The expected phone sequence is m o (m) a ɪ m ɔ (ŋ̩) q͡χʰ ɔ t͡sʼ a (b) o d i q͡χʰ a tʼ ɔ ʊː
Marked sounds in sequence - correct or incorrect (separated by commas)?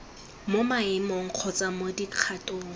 correct, correct, incorrect